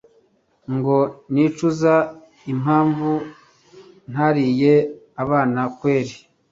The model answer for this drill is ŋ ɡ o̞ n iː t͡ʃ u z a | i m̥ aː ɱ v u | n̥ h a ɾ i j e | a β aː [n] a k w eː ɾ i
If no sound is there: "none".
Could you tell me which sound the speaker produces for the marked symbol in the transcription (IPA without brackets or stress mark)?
n